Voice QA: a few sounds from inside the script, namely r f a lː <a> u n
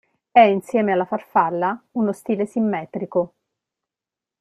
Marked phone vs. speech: correct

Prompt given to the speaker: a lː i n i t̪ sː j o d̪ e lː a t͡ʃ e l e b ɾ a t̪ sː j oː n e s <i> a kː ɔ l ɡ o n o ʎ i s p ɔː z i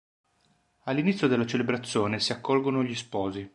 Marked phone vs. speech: correct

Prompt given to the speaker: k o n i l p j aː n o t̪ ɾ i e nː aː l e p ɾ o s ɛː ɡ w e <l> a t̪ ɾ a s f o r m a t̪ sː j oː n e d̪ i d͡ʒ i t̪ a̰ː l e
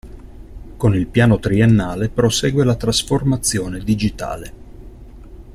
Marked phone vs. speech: correct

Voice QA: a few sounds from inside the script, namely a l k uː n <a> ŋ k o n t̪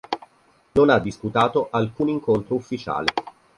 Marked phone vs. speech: incorrect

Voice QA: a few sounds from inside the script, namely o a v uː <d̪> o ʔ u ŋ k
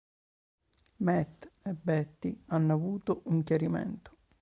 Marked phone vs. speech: incorrect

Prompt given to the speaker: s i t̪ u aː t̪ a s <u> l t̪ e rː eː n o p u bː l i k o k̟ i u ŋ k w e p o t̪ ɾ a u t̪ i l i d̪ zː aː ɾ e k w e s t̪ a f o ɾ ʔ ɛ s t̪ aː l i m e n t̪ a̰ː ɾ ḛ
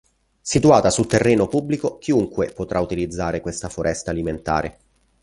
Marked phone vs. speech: correct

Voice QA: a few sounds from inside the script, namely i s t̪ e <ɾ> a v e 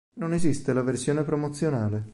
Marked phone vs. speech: incorrect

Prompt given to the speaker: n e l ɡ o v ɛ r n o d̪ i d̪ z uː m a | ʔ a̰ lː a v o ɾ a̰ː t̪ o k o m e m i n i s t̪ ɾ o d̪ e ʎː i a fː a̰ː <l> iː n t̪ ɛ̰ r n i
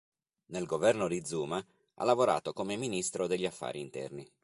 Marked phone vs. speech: incorrect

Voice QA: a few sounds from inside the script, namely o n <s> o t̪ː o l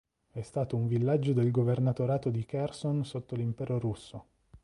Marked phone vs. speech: correct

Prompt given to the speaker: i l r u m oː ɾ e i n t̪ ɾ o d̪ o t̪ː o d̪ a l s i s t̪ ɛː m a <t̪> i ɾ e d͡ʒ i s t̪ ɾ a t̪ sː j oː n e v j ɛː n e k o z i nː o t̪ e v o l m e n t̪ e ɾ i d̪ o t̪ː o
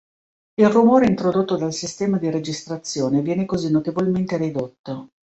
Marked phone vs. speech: incorrect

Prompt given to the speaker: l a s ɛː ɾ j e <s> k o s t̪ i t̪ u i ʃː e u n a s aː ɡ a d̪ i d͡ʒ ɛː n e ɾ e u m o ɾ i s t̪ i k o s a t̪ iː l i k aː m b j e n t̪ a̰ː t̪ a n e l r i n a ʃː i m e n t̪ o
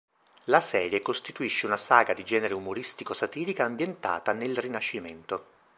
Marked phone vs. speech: incorrect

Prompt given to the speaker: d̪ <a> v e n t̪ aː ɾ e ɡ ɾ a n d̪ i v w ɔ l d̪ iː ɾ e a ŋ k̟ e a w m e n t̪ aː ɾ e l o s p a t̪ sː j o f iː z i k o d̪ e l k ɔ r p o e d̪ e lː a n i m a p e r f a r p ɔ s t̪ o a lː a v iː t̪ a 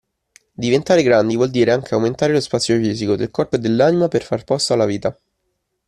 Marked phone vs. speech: incorrect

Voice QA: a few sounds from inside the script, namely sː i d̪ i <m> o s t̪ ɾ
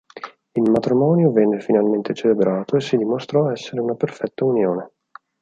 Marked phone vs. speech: correct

